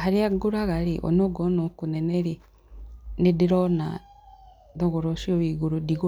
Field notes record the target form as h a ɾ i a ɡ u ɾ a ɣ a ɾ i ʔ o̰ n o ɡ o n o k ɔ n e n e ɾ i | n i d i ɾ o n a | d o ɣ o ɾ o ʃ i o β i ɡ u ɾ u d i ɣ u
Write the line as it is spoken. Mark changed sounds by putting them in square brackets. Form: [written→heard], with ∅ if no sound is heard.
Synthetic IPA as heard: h a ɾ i a ɡ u ɾ a ɣ a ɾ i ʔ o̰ n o ɡ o n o k [ɔ→u] n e n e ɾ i | n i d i ɾ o n a | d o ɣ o ɾ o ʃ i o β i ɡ u ɾ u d i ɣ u